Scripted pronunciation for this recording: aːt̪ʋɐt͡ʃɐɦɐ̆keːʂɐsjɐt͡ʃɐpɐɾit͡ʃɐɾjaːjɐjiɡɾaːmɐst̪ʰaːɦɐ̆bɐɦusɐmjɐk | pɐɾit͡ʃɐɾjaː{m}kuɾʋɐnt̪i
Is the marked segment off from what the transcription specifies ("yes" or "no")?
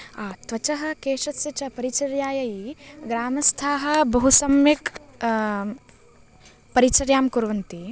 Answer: no